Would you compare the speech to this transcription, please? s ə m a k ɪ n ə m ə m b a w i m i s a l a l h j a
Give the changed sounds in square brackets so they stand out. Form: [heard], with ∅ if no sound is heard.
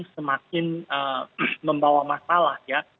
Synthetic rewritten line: s ə m a k ɪ n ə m ə m b a w [a] m [a] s a l a [∅] h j a